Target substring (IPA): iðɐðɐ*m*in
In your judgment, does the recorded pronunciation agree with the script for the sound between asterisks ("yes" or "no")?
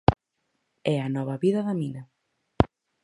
yes